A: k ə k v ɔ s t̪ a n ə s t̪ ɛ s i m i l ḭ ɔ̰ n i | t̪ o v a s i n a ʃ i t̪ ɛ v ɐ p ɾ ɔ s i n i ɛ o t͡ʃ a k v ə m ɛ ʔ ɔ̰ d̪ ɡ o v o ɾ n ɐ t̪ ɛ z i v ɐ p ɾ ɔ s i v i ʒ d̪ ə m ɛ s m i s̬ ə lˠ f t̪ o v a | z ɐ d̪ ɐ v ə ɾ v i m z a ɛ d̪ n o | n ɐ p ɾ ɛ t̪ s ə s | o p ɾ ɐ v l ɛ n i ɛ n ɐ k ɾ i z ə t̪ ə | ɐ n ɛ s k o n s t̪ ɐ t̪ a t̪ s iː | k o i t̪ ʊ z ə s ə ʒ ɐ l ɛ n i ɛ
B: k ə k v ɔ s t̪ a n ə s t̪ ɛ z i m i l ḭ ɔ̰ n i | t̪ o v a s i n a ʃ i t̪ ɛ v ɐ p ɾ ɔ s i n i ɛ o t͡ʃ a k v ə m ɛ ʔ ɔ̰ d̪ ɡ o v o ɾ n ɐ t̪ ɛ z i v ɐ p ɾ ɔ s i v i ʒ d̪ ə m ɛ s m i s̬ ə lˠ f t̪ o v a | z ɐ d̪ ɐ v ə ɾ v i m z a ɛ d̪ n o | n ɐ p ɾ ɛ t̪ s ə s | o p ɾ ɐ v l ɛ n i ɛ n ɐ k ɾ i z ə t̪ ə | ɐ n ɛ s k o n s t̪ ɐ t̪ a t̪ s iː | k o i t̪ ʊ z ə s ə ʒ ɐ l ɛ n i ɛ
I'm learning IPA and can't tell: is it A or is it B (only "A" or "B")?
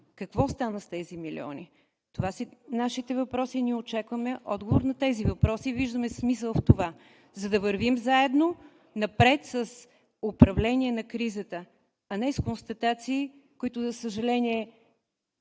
B